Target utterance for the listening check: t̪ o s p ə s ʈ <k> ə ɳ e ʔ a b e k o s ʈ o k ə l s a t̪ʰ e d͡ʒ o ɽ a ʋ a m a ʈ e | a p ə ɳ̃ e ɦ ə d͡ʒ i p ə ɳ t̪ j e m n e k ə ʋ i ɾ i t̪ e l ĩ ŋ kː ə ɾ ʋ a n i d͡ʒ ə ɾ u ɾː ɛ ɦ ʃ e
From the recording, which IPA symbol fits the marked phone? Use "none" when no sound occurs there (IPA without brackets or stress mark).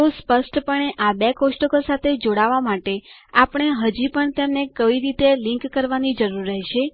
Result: p